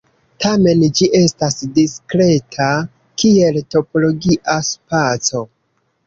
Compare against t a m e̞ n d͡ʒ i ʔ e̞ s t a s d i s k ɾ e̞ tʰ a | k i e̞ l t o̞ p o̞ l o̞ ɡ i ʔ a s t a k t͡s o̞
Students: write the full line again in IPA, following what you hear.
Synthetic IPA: t a m e̞ n d͡ʒ i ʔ e̞ s t a s d i s k ɾ e̞ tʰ a | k i e̞ l t o̞ p o̞ l o̞ ɡ i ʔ a s p a t͡s o̞